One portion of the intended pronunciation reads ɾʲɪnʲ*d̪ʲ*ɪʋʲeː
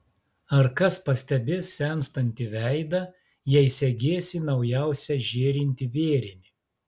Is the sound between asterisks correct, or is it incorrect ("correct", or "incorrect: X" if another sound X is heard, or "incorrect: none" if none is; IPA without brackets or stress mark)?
incorrect: t̪ʲ